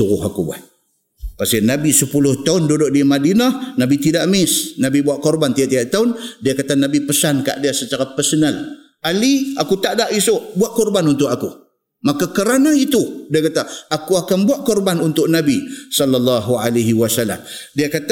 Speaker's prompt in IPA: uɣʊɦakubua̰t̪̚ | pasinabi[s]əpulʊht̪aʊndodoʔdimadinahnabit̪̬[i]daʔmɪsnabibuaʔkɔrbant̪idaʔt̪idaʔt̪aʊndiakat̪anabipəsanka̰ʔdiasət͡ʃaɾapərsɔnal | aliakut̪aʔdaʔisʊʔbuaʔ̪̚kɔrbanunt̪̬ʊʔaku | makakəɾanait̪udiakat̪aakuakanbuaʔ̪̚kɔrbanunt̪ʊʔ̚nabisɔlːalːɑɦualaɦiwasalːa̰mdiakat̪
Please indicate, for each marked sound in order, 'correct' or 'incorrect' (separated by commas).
correct, correct